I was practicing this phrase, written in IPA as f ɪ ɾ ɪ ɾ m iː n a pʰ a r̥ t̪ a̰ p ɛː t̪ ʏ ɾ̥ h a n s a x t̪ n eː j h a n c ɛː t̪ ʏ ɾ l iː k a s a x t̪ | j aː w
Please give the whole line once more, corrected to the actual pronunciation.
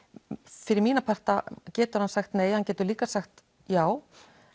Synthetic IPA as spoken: f ɪ ɾ ɪ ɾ m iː n a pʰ a r̥ t̪ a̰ c ɛː t̪ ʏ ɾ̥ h a n s a x t̪ n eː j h a n c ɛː t̪ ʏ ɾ l iː k a s a x t̪ | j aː w

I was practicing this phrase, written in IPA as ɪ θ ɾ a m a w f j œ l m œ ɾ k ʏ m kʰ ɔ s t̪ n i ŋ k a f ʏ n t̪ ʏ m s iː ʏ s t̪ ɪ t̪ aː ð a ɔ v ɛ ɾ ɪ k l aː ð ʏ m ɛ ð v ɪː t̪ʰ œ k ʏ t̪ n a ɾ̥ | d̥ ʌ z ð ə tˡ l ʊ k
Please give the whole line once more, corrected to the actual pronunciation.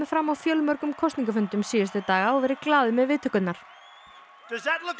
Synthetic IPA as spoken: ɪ f ɾ a m a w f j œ l m œ ɾ k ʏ m kʰ ɔ s t̪ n i ŋ k a f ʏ n t̪ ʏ m s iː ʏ s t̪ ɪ t̪ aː ɣ a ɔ v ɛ ɾ ɪ k l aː ð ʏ m ɛ ð v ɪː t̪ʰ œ k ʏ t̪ n a ɾ̥ | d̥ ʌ z ð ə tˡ l ʊ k

